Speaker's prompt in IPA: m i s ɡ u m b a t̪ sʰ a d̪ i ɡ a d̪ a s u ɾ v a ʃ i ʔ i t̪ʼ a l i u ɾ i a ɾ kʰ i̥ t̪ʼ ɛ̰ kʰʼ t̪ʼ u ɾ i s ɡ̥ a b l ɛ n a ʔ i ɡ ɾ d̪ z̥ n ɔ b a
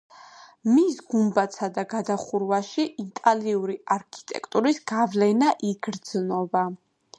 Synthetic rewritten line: m i s ɡ u m b a t̪ sʰ a d̪ a ɡ a d̪ a χ u ɾ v a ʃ i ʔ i t̪ʼ a l i u ɾ i a ɾ kʰ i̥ t̪ʼ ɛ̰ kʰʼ t̪ʼ u ɾ i s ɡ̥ a v l ɛ n a ʔ i ɡ ɾ d̪ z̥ n ɔ b a